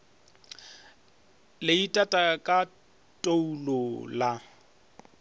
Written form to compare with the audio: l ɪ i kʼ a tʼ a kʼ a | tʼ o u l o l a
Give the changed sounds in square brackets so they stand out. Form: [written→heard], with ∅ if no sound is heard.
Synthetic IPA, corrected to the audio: l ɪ i [kʼ→tʼ] a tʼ a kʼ a | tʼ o u l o l a